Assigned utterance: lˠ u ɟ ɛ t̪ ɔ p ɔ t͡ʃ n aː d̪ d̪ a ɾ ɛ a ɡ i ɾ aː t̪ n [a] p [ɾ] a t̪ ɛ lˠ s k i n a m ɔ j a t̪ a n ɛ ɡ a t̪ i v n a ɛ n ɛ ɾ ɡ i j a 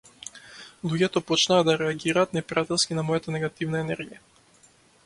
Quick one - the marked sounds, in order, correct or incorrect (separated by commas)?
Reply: incorrect, correct